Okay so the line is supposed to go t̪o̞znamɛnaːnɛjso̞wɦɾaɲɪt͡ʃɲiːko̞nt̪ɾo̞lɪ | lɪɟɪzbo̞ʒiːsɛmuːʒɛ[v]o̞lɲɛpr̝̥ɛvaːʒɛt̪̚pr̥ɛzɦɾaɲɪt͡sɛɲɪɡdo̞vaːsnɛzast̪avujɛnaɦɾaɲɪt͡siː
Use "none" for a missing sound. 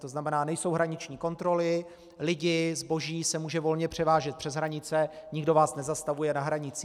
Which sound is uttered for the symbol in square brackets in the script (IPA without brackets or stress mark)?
v